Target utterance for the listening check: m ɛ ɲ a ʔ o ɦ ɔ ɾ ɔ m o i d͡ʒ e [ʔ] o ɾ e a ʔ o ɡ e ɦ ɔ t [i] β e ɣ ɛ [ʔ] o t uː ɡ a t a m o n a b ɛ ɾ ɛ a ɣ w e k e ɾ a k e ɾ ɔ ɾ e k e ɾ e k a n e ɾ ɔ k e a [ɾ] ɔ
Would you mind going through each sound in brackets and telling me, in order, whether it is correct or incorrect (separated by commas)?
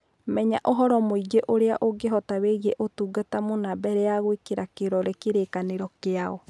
correct, incorrect, correct, incorrect